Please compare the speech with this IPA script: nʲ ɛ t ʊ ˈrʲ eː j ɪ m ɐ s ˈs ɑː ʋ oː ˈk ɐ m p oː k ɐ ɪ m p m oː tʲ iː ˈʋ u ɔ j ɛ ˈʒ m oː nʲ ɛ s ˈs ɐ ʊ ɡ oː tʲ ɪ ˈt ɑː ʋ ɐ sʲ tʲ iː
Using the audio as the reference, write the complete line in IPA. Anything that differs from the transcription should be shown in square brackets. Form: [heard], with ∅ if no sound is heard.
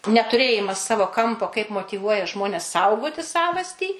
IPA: nʲ ɛ t ʊ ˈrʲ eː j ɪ m ɐ s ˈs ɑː ʋ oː ˈk ɐ m p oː k ɐ ɪ [∅] p m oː tʲ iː ˈʋ u ɔ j ɛ ˈʒ m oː nʲ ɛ s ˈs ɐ ʊ ɡ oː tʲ ɪ [ˈs] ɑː ʋ ɐ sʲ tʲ iː